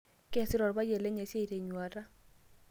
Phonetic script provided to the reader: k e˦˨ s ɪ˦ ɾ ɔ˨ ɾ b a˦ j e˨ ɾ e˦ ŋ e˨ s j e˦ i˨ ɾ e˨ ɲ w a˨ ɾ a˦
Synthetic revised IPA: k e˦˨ s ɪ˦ ɾ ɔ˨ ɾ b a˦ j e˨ l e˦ ɲ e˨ s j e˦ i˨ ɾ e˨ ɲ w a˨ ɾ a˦